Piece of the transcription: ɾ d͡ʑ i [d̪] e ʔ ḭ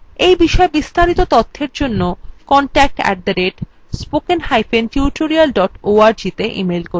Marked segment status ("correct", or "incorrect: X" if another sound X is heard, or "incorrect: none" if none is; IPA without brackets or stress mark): incorrect: t̪